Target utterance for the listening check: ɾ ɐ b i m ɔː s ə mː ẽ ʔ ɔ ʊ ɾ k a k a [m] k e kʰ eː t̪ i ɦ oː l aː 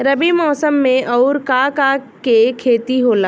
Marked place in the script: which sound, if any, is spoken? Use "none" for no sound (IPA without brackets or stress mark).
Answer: none